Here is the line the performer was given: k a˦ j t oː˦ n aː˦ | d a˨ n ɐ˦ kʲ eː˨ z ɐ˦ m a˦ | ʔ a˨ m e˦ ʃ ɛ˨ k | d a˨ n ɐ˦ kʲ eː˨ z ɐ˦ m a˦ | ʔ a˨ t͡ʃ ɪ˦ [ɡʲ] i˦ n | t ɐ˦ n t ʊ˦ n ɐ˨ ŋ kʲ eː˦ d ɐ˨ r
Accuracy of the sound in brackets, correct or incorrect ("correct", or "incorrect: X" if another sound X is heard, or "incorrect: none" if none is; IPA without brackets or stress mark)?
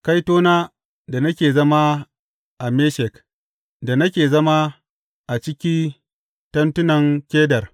incorrect: kʲ